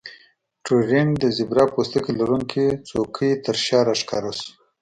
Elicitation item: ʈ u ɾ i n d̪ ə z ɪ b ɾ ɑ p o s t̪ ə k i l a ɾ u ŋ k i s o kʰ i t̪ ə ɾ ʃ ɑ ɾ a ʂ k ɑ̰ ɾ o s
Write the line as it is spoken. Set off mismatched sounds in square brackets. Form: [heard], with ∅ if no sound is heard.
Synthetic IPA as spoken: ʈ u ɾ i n d̪ ə z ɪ b ɾ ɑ p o s t̪ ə k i l a ɾ u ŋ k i [t͡s] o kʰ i t̪ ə ɾ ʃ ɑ ɾ a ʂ k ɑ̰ ɾ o s